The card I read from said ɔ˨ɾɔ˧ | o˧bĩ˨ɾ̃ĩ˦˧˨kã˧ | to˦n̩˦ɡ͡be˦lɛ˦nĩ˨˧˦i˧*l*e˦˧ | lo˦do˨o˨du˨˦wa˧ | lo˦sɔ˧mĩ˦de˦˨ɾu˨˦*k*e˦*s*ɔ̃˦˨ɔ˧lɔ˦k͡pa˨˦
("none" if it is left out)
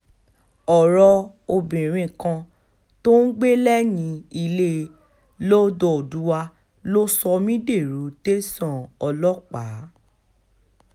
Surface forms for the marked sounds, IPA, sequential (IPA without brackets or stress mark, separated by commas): l, t, s